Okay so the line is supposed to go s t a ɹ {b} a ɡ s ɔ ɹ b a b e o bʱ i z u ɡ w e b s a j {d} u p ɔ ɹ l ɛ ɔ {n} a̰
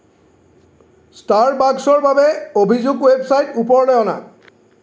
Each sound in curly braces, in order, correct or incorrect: correct, incorrect, correct

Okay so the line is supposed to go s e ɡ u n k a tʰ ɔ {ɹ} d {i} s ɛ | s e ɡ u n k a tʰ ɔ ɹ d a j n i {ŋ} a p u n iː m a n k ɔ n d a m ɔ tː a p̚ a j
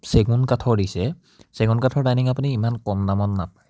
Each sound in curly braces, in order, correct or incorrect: correct, correct, correct

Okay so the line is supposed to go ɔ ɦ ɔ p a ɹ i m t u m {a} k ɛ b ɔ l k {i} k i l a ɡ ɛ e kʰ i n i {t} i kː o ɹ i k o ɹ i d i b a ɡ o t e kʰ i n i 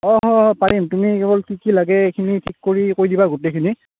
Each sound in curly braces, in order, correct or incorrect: incorrect, correct, incorrect

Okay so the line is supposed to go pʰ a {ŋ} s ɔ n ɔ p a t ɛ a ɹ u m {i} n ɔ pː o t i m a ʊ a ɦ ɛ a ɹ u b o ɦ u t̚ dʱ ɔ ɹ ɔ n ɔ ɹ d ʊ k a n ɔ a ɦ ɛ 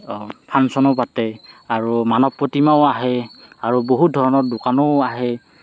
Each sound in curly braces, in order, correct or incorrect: incorrect, incorrect

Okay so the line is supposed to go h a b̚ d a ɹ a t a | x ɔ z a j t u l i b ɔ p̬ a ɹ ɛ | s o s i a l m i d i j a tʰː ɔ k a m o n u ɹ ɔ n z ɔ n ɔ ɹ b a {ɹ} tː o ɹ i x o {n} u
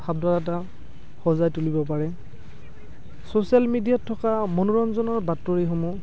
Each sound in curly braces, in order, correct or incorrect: incorrect, incorrect

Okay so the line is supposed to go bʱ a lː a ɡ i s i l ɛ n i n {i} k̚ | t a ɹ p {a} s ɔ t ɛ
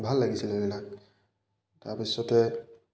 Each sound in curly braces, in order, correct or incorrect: incorrect, incorrect

